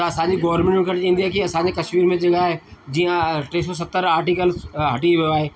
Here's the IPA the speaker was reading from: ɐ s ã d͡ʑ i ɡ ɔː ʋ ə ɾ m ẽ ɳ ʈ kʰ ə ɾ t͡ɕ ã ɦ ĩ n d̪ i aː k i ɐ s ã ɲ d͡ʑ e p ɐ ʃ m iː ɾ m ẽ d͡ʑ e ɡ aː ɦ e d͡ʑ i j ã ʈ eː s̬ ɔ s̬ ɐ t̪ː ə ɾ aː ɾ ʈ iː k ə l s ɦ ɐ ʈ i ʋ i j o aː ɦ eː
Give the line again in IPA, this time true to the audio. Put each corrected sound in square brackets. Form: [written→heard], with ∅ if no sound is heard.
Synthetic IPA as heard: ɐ s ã d͡ʑ i ɡ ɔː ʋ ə ɾ m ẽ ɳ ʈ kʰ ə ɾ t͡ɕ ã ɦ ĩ n d̪ i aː k i ɐ s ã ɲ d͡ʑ e [p→k] ɐ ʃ m iː ɾ m ẽ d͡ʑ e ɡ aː ɦ e d͡ʑ i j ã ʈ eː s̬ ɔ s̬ ɐ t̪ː ə ɾ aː ɾ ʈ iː k ə l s ɦ ɐ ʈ i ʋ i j o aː ɦ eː